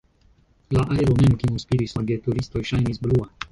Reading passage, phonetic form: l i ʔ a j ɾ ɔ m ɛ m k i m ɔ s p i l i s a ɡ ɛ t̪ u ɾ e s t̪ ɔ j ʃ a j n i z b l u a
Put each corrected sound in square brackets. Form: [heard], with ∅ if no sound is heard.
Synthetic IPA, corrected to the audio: l [a] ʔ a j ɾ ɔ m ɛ m k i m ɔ s p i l i s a ɡ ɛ t̪ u ɾ [i] s t̪ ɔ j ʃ a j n i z b l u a